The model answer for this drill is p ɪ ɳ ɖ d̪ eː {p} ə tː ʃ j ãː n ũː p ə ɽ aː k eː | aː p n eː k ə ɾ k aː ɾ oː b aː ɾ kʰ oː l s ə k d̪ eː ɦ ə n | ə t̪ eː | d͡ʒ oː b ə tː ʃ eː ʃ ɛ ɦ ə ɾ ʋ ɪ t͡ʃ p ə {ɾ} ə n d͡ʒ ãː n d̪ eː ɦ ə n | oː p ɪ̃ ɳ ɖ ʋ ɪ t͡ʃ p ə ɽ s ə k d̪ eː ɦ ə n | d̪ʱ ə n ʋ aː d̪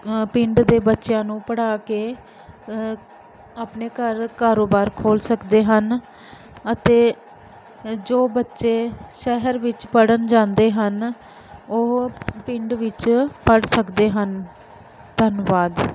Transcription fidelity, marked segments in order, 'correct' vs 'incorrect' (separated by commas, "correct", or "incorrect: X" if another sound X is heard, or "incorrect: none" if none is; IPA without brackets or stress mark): incorrect: b, incorrect: ɽ